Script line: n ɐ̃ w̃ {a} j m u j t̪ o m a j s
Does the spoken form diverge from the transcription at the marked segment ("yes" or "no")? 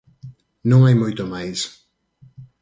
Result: no